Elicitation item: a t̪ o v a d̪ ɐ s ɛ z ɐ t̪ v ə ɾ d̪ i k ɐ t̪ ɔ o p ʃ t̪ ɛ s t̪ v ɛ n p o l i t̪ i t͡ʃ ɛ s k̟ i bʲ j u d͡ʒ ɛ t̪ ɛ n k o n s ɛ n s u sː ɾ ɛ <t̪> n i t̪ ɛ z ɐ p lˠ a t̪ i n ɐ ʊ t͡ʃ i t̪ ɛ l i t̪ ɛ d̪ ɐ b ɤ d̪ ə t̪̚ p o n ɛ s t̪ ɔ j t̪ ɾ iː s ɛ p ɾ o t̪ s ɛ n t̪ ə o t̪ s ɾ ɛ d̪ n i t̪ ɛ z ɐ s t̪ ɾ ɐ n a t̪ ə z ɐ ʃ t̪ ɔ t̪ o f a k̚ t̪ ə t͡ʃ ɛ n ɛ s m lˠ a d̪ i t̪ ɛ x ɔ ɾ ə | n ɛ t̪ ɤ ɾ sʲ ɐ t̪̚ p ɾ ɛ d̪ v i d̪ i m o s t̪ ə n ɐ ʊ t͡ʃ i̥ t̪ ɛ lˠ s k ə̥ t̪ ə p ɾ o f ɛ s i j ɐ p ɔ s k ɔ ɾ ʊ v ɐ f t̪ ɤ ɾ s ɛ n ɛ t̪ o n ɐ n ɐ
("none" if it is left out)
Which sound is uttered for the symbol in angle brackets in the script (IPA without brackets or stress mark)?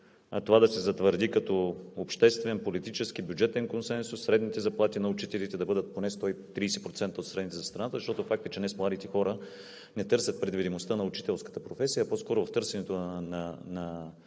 d̪